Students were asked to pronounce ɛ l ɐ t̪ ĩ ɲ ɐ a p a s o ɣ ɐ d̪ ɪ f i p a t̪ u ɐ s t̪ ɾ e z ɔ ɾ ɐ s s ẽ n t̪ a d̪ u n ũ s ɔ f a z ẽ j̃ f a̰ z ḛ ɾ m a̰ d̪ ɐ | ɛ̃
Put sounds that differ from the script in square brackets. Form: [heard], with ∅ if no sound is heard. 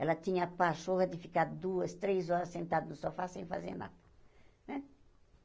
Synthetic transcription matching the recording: ɛ l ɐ t̪ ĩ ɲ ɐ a p a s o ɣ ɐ d̪ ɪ f i [k] a [d̪] u ɐ s t̪ ɾ e z ɔ ɾ ɐ s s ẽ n t̪ a d̪ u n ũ s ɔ f a [s] ẽ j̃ f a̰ z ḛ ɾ [n] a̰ d̪ ɐ | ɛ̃

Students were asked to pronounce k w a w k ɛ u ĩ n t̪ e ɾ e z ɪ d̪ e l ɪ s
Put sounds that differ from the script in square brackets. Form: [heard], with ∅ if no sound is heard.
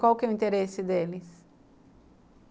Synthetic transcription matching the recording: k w a w k ɛ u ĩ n t̪ e ɾ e [s] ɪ d̪ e l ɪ s

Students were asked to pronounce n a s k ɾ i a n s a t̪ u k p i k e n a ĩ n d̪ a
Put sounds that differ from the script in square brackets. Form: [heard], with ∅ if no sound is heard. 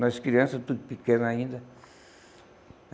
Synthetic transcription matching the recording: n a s k ɾ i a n s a t̪ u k p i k e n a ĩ n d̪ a

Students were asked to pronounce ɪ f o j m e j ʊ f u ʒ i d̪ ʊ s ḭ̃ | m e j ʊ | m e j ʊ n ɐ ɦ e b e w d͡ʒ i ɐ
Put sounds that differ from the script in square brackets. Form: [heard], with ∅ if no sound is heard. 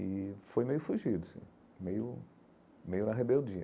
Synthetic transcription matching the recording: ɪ f o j m e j ʊ f u ʒ i d̪ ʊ s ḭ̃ | m e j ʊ | m e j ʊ n ɐ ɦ e b e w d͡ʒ i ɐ

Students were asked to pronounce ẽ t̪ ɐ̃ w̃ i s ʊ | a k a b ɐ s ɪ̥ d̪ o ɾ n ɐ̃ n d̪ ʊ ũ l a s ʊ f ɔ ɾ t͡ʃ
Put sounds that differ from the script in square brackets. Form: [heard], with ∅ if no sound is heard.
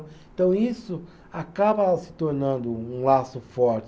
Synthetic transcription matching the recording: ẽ t̪ ɐ̃ w̃ i s ʊ | a k a b ɐ s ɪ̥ [t̪] o ɾ n ɐ̃ n d̪ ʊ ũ l a s ʊ f ɔ ɾ t͡ʃ

